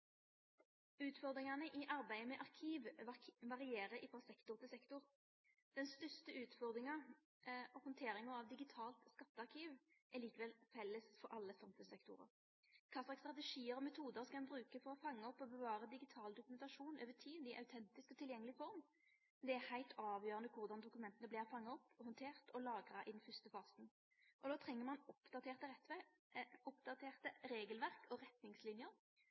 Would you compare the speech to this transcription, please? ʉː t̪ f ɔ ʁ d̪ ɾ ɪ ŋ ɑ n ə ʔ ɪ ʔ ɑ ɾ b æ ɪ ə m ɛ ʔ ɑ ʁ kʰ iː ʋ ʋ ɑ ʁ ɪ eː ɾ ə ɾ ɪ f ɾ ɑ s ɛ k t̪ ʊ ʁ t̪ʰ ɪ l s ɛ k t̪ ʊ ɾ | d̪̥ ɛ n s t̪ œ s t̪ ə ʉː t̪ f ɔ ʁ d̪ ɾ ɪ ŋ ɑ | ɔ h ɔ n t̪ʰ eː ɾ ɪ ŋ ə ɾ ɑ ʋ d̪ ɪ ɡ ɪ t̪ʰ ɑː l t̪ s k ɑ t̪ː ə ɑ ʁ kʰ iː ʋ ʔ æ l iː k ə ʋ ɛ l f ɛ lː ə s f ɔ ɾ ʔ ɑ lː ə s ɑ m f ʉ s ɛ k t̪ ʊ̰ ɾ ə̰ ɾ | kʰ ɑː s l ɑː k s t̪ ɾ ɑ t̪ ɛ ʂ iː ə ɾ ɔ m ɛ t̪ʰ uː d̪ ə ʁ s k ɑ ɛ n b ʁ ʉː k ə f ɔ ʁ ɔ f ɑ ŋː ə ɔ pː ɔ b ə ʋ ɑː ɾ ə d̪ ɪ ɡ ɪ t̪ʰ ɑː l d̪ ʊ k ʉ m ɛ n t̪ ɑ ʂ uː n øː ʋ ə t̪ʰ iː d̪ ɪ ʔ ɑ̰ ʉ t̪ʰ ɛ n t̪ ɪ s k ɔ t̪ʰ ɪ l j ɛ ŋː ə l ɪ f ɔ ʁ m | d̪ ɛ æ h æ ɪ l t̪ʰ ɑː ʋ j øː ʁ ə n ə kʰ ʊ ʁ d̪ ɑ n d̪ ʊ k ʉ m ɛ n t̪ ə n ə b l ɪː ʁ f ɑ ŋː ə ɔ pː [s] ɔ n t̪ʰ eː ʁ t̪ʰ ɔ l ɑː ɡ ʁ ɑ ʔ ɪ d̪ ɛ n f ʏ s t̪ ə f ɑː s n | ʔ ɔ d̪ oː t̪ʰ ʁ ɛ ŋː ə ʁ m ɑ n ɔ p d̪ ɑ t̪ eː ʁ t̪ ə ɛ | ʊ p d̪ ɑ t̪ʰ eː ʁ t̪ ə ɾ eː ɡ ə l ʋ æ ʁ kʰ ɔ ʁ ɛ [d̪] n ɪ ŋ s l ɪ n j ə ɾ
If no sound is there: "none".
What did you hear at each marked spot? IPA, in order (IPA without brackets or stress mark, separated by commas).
h, t̪